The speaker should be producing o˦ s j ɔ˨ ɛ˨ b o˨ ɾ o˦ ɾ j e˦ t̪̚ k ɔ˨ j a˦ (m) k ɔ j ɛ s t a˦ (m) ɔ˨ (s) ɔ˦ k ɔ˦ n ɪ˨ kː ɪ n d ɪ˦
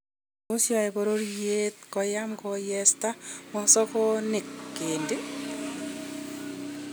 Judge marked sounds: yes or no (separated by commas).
yes, yes, yes